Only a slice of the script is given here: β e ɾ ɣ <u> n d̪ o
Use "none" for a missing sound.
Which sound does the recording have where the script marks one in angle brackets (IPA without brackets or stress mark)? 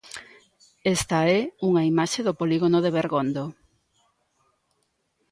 o